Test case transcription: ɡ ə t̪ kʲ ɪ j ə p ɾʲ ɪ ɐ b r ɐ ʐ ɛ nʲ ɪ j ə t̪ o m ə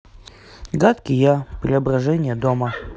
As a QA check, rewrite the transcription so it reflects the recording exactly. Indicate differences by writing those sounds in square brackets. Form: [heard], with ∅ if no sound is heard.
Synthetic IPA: ɡ [a] t̪ kʲ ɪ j [a] p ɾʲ ɪ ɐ b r ɐ ʐ ɛ nʲ ɪ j ə [d̪] o m ə